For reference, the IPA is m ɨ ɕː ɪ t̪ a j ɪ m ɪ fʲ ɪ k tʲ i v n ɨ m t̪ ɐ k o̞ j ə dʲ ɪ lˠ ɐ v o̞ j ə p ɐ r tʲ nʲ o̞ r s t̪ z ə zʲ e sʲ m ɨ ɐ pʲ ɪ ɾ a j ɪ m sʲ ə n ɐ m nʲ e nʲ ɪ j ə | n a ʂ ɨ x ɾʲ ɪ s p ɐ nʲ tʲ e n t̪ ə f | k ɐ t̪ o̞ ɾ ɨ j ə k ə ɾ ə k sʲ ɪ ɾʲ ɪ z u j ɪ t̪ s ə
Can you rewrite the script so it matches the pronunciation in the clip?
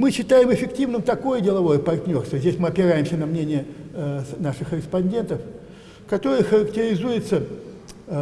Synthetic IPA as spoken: m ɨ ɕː ɪ t̪ a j ɪ m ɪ fʲ ɪ k tʲ i v n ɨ m t̪ ɐ k o̞ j ə dʲ ɪ lˠ ɐ v o̞ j ə p ɐ r tʲ nʲ o̞ r s t̪ v ə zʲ e sʲ m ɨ ɐ pʲ ɪ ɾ a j ɪ m sʲ ə n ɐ m nʲ e nʲ ɪ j ə | n a ʂ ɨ x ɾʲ ɪ s p ɐ nʲ dʲ e n t̪ ə f | k ɐ t̪ o̞ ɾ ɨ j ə x ə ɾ ə k tʲ ɪ ɾʲ ɪ z u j ɪ t̪ s ə